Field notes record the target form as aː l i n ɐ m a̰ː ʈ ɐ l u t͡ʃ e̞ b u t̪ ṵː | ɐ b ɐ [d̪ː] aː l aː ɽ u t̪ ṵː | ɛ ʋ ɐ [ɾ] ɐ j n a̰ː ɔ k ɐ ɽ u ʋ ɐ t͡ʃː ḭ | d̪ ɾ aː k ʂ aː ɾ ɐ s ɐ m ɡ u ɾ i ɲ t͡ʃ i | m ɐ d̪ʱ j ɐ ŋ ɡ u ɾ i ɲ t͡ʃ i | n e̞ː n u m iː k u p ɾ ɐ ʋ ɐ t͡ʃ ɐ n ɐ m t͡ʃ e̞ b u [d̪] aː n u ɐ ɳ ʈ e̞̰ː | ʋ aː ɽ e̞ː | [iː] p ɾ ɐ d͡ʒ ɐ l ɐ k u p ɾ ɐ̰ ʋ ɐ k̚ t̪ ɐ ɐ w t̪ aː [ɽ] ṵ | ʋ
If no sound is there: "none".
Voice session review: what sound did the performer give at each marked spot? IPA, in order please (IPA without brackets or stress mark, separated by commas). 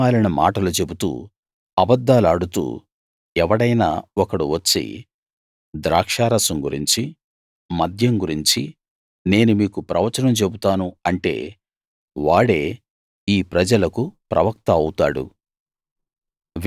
d̪ː, ɽ, t̪, iː, ɽ